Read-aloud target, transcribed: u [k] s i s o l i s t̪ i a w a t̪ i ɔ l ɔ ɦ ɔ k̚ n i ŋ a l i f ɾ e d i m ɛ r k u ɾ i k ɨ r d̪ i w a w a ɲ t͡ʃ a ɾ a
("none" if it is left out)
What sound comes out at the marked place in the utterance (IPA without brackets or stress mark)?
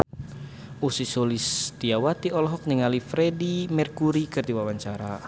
none